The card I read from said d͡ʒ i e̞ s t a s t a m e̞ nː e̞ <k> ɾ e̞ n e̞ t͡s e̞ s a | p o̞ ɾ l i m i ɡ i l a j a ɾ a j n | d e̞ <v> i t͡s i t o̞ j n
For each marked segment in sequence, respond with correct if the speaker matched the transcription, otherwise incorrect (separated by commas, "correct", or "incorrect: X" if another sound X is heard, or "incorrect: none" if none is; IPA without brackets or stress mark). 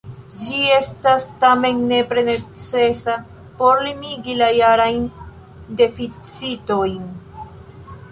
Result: incorrect: p, incorrect: f